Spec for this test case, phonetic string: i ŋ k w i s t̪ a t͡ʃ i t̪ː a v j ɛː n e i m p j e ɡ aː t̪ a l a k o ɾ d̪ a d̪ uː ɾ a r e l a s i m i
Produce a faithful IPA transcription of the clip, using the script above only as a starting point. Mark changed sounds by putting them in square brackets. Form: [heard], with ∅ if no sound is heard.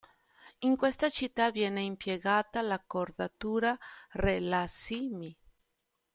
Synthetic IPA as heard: i ŋ k w [e] s t̪ a t͡ʃ i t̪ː a v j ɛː n e i m p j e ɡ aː t̪ a l a k o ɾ d̪ a [t̪] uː ɾ a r e l a s i m i

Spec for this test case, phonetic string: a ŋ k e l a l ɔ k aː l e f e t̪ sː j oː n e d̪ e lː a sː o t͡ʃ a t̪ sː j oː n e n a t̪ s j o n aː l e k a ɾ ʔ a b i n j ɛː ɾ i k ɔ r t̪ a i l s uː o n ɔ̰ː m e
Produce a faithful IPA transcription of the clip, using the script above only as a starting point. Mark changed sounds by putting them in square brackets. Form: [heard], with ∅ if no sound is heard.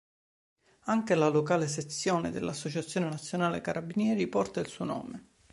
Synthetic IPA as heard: a ŋ k e l a l [o] k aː l e [s] e t̪ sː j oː n e d̪ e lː a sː o t͡ʃ a t̪ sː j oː n e n a t̪ [sː] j o n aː l e k a ɾ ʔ a b i n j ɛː ɾ i [p] ɔ r t̪ a i l s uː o n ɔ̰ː m e

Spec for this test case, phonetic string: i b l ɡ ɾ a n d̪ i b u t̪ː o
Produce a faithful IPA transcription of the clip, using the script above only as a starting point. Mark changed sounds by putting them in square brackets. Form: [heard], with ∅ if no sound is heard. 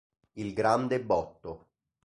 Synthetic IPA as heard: i [∅] l ɡ ɾ a n d̪ [e] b [ɔ] t̪ː o

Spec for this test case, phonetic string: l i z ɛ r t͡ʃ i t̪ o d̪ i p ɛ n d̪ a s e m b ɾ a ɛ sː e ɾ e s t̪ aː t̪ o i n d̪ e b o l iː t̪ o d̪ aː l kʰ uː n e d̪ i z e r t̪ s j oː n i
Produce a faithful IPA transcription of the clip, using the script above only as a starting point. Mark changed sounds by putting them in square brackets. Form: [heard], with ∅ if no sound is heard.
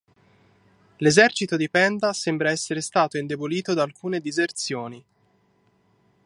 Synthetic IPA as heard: l [e] z ɛ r t͡ʃ i t̪ o d̪ i p ɛ n d̪ a s e m b ɾ a ɛ sː e ɾ e s t̪ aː t̪ o i n d̪ e b o l iː t̪ o d̪ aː l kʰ uː n e d̪ i z e r t̪ s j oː n i

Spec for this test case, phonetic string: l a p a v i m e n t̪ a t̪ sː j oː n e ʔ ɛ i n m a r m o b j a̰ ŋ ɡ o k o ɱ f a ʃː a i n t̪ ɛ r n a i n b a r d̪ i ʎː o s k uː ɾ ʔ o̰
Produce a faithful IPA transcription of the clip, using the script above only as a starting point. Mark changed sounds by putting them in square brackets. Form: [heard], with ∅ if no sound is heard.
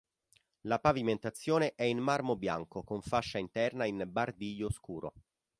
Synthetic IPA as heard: l a p a v i m e n t̪ a t̪ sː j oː n e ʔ ɛ i n m a r m o b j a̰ ŋ [k] o k o ɱ f a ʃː a i n t̪ ɛ r n a i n b a r d̪ i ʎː o s k uː ɾ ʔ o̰

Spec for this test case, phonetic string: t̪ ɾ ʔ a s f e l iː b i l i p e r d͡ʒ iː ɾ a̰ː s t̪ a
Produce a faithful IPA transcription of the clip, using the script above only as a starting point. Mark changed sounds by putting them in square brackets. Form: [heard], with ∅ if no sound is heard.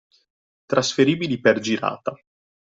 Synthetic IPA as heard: t̪ ɾ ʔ a s f e [ɾ] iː b i l i p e r d͡ʒ [i] ɾ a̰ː [∅] t̪ a

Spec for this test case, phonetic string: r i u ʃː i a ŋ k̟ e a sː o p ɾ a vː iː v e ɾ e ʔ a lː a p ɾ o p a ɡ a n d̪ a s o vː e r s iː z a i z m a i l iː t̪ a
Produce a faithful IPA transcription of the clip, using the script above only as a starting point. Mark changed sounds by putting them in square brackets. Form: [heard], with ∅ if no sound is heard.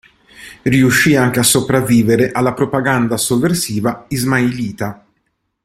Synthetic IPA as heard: r i u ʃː i a ŋ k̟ e a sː o p ɾ a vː iː v e ɾ e ʔ a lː a p ɾ o p a ɡ a n d̪ a s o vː e r s iː [v] a i z m a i l iː t̪ a

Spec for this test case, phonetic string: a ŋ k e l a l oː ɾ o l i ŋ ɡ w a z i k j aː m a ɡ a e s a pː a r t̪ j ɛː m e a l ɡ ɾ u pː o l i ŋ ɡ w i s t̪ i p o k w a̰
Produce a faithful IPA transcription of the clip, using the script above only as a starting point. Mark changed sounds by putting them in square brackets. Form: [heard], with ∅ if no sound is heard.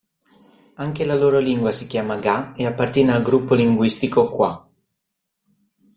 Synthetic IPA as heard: a ŋ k e l a l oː ɾ o l i ŋ ɡ w a [s] i k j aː m a ɡ a e [∅] a pː a r t̪ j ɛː [n] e a l ɡ ɾ u pː o l i ŋ ɡ w i s t̪ i [k] o k w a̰

